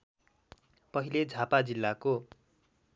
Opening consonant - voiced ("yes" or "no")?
no